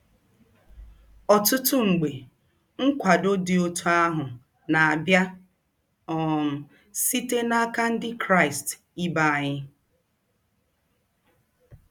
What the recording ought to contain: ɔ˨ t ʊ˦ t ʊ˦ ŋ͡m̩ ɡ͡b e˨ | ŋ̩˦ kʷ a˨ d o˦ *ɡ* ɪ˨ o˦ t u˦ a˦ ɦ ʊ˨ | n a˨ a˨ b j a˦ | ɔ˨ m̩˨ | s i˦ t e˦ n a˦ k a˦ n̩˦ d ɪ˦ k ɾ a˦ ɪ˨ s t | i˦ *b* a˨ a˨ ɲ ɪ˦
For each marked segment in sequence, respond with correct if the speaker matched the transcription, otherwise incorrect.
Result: incorrect, correct

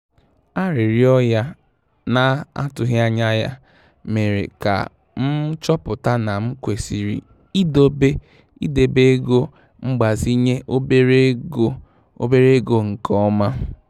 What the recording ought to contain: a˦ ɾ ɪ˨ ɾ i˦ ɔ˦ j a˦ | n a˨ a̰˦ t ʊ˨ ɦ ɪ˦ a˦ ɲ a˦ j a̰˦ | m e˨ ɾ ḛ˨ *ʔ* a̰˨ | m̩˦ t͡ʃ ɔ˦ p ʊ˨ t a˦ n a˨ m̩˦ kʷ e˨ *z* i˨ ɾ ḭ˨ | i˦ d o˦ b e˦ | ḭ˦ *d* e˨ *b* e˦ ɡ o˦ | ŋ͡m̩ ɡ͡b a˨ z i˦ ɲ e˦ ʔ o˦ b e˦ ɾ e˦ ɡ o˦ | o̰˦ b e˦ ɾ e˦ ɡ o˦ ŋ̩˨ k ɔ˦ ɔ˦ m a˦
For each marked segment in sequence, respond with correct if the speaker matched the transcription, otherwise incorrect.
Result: incorrect, incorrect, correct, correct

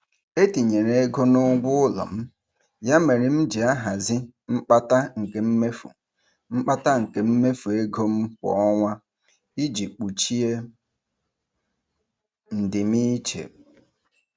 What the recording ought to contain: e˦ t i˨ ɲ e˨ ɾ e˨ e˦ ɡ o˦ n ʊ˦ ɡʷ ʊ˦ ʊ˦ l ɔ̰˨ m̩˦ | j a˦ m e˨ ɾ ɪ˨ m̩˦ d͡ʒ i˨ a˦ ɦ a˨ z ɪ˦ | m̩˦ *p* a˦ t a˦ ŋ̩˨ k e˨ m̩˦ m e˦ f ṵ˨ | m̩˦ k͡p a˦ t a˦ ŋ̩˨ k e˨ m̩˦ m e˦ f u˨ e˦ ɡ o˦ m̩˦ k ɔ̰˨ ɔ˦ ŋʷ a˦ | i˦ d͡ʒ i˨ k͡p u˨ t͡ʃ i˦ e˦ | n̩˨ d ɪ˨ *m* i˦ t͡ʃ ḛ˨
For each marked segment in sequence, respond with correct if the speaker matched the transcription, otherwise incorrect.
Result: incorrect, correct

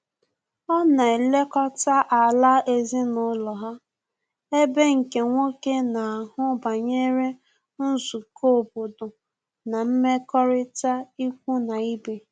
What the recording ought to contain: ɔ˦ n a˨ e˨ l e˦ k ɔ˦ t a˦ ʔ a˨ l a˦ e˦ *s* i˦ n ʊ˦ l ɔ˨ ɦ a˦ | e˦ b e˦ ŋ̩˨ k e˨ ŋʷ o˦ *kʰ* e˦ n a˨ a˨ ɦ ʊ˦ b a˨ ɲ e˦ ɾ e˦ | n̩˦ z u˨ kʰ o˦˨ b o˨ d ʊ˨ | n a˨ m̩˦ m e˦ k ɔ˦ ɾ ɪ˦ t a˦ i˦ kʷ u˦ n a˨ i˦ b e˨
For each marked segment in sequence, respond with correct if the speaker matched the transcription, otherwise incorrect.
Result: incorrect, incorrect

